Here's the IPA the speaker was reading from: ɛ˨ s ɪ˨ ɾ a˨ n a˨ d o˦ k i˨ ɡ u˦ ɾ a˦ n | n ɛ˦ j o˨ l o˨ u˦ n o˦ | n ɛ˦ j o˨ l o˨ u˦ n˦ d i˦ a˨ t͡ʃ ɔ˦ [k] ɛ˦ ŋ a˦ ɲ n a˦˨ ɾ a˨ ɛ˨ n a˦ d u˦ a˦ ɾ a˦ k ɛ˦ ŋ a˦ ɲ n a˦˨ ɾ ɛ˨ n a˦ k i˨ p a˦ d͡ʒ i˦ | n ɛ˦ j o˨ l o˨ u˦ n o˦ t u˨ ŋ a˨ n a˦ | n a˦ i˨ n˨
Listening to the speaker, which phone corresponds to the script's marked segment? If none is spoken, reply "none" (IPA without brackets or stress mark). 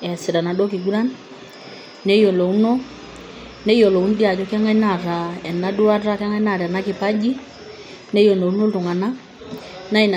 k